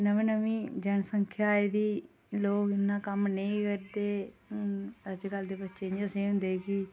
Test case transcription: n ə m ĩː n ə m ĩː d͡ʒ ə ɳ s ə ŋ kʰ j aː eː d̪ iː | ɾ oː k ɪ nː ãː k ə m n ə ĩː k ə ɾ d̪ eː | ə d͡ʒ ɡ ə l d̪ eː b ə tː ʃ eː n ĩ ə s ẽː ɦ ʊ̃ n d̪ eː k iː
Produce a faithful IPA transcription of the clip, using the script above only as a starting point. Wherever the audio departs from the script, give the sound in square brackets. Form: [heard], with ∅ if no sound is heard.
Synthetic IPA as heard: n ə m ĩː n ə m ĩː d͡ʒ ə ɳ s ə ŋ kʰ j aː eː d̪ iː | [l] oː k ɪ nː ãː k ə m n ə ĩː k ə ɾ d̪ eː | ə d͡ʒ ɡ ə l d̪ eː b ə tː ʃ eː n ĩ ə s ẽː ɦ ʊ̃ n d̪ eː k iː

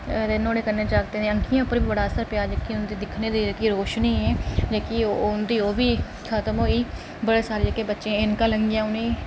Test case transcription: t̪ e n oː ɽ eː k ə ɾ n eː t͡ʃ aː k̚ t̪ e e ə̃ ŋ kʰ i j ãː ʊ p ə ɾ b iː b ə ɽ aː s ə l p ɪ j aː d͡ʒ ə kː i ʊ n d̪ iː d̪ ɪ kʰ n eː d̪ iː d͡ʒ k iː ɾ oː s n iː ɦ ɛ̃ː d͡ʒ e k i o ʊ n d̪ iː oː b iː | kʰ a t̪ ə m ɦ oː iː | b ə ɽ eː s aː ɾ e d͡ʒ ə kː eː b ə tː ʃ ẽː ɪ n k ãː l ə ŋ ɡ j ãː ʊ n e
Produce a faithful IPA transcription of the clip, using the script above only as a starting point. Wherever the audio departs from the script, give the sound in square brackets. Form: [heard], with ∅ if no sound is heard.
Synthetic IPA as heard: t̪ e n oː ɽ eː k ə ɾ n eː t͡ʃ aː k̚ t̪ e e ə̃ ŋ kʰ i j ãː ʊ p ə ɾ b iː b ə ɽ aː s ə [ɾ] p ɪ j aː d͡ʒ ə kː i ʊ n d̪ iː d̪ ɪ kʰ n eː d̪ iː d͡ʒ k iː ɾ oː [ʃ] n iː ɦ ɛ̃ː d͡ʒ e k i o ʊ n d̪ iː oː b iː | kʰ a t̪ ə m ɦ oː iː | b ə ɽ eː s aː ɾ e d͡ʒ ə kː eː b ə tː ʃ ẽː ɪ n k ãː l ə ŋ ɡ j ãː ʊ n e

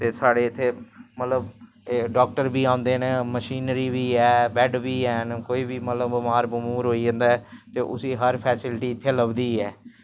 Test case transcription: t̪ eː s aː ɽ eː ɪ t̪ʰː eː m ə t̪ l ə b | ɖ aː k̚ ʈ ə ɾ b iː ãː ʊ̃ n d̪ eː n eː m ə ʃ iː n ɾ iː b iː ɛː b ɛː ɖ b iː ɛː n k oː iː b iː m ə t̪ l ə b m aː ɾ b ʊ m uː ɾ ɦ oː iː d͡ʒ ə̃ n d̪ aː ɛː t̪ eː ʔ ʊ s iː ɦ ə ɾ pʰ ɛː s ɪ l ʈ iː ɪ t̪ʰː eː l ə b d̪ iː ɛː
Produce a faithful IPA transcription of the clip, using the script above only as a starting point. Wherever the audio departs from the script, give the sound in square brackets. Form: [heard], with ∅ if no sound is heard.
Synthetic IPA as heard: t̪ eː s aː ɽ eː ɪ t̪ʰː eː m ə t̪ l ə b | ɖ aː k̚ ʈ ə ɾ b iː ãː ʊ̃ n d̪ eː n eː m ə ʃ iː n ɾ iː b iː ɛː b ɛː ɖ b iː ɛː n k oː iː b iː m ə t̪ l ə b m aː ɾ b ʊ m uː ɾ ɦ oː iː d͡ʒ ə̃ n d̪ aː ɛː t̪ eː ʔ ʊ s iː ɦ ə ɾ pʰ ɛː s ɪ l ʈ iː ɪ t̪ʰː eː l ə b d̪ iː ɛː

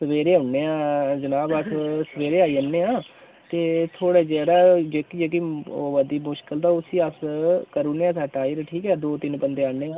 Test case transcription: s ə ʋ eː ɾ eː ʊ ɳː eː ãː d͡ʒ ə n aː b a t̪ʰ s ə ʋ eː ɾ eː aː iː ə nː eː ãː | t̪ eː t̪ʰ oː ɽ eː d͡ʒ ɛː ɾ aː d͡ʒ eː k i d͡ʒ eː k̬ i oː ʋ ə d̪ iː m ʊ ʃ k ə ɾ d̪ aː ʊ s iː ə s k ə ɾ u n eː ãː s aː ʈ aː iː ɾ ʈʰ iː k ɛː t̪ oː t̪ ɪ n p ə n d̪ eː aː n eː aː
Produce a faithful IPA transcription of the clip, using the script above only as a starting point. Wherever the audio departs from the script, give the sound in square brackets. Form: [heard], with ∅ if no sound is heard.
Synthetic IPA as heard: s ə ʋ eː ɾ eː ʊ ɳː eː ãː d͡ʒ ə n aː b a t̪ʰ s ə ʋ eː ɾ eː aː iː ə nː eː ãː | t̪ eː t̪ʰ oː ɽ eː d͡ʒ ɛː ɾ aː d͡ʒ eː k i d͡ʒ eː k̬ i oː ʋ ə d̪ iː m ʊ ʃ k ə [l] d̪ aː ʊ s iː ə s k ə ɾ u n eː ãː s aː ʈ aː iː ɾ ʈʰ iː k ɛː [d̪] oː t̪ ɪ n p ə n d̪ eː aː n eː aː

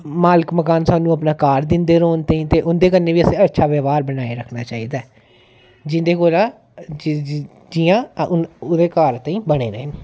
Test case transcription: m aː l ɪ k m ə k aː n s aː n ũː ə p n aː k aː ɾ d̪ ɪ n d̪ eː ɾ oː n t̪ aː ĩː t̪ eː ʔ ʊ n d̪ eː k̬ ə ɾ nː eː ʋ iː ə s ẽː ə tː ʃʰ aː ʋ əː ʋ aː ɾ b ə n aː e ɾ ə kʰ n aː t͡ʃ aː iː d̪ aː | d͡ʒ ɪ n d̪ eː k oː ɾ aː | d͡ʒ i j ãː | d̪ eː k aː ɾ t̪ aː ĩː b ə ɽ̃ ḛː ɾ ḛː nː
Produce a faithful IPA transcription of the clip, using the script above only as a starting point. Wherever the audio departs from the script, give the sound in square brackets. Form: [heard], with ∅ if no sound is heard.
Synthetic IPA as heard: m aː l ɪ k m ə k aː n s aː n ũː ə p n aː k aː ɾ d̪ ɪ n d̪ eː ɾ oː n t̪ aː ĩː t̪ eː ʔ ʊ n d̪ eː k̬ ə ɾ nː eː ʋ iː ə s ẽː ə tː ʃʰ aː ʋ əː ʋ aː ɾ b ə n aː e ɾ ə kʰ n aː t͡ʃ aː iː d̪ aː | d͡ʒ ɪ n d̪ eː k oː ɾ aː | d͡ʒ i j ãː | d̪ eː k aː ɾ t̪ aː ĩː b ə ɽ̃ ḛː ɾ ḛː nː

